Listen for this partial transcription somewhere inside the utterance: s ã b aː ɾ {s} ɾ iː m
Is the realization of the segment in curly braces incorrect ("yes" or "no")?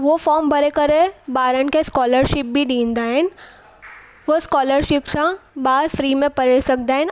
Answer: yes